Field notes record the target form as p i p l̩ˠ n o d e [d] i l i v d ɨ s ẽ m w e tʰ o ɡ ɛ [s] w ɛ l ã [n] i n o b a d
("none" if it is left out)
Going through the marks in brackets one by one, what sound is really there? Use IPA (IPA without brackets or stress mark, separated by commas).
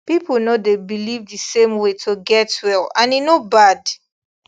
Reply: b, t, n